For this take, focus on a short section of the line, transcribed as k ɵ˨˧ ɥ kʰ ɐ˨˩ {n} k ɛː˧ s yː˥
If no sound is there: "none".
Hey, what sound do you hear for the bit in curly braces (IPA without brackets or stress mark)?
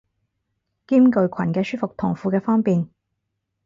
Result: n